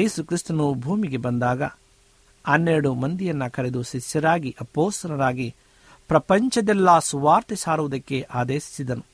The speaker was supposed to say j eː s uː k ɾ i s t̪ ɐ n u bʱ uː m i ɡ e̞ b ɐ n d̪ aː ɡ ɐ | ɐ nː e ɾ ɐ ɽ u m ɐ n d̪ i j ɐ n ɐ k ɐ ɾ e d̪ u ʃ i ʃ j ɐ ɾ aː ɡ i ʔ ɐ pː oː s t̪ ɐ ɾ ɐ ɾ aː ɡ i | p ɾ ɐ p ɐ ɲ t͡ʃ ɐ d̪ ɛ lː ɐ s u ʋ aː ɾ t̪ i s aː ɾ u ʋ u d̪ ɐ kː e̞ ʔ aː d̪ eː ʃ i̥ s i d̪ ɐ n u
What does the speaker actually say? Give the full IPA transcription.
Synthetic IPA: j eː s u k ɾ i s t̪ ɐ n u bʱ uː m i ɡ e̞ b ɐ n d̪ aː ɡ ɐ | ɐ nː e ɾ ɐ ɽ u m ɐ n d̪ i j ɐ nː ɐ k ɐ ɾ e d̪ u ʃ i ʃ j ɐ ɾ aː ɡ i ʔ ɐ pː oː s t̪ ɐ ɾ ɐ ɾ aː ɡ i | p ɾ ɐ p ɐ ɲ t͡ʃ ɐ d̪ ɛ lː ɐ s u ʋ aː ɾ t̪ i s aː ɾ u ʋ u d̪ ɐ kː e̞ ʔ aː d̪ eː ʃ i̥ s i d̪ ɐ n u